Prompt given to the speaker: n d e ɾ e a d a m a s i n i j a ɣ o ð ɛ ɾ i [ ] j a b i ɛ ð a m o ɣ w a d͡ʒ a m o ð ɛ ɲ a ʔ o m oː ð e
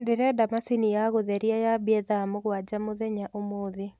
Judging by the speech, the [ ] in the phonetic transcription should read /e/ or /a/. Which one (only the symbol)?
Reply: a